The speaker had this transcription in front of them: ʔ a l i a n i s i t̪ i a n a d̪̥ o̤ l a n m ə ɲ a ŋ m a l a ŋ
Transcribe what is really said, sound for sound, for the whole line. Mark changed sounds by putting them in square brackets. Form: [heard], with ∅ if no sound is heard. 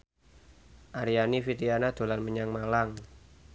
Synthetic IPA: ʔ a [ɾ] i a n i [f] i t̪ i a n a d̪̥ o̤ l a n m ə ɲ a ŋ m a l a ŋ